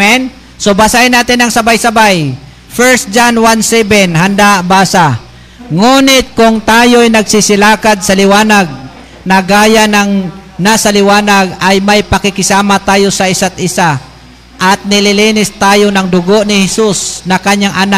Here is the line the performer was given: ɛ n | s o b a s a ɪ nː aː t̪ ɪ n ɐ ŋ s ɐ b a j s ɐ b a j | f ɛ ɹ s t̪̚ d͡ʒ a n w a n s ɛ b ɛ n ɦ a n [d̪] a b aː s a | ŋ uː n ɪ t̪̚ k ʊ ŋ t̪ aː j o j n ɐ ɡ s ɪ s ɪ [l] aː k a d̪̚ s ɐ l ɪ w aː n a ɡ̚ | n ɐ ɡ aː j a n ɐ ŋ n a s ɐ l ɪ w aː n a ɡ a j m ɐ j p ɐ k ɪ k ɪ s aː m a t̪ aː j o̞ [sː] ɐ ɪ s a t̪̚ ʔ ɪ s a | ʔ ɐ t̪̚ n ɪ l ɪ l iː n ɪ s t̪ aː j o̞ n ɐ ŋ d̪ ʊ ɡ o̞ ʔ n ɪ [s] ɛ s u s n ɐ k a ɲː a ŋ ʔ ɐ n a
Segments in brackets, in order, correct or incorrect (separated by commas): correct, correct, incorrect, incorrect